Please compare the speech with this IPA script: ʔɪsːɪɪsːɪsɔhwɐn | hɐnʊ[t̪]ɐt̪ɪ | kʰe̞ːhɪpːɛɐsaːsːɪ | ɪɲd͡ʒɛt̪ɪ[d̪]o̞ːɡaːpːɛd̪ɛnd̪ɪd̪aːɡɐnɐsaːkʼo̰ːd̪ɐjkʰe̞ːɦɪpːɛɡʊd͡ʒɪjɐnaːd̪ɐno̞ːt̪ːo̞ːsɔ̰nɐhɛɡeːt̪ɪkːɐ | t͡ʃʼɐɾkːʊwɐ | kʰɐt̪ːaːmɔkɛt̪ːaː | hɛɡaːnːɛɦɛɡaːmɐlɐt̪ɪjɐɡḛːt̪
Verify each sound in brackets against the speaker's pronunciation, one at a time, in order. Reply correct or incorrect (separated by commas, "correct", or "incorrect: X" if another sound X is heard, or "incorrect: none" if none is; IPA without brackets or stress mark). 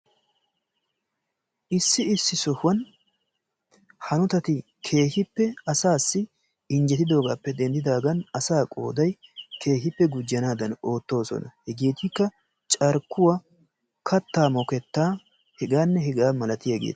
correct, correct